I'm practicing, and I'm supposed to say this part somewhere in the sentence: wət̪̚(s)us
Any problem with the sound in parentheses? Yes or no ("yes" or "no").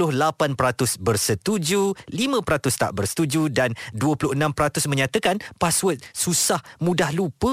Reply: no